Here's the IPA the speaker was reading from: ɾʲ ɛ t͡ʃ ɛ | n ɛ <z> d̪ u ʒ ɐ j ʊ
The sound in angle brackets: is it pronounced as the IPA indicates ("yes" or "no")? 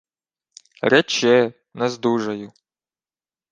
yes